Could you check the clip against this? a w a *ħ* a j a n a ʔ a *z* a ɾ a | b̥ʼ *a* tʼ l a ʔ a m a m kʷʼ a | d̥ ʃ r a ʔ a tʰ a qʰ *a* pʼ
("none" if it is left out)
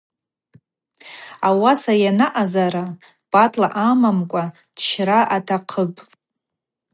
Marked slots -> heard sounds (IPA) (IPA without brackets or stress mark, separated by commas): s, z, a, ə